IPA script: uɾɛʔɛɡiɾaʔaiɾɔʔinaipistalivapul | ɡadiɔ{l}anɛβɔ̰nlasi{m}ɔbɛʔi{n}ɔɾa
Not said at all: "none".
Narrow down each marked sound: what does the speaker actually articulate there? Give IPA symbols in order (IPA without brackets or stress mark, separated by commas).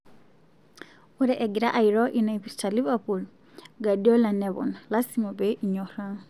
l, m, ɲ